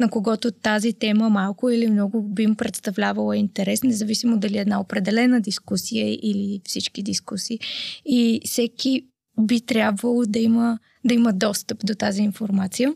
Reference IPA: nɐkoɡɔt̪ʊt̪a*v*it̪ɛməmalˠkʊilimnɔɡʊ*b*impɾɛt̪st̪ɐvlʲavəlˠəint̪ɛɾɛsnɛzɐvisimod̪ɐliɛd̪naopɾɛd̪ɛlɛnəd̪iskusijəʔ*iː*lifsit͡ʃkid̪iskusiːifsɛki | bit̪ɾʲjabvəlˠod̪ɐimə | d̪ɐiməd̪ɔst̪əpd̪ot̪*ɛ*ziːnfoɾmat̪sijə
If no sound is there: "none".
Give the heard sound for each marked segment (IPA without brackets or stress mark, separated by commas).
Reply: z, b, i, a